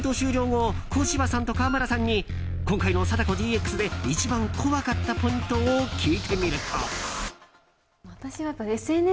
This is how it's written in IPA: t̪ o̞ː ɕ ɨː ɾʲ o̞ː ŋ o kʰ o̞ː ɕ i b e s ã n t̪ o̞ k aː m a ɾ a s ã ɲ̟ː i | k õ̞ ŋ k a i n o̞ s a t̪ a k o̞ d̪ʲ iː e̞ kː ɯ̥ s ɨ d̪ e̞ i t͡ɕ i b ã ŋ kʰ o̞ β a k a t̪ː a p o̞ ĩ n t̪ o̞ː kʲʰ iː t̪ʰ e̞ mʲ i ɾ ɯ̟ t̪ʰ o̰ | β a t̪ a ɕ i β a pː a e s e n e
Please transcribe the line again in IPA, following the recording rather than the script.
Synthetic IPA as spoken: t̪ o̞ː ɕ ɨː ɾʲ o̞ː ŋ o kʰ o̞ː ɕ i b a s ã n t̪ o̞ k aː m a ɾ a s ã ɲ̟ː i | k õ̞ ŋ k a i n o̞ s a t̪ a k o̞ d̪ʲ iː e̞ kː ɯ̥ s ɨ d̪ e̞ i t͡ɕ i b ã ŋ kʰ o̞ β a k a t̪ː a p o̞ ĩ n t̪ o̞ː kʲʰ iː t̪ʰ e̞ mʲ i ɾ ɯ̟ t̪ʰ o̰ | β a t̪ a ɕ i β a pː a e s e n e